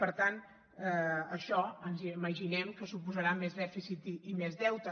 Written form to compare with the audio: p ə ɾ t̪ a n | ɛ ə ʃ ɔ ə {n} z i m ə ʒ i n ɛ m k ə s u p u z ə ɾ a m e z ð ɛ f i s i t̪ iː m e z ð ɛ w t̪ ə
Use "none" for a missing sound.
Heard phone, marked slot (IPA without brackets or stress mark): n